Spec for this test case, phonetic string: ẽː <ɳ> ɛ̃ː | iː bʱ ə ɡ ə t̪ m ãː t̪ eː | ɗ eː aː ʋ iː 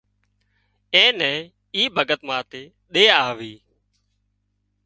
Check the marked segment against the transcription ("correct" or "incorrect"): incorrect